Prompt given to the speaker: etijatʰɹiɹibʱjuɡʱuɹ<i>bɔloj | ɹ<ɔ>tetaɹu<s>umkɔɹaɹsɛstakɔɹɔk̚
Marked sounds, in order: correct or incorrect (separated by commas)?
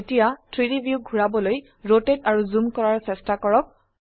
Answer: incorrect, incorrect, incorrect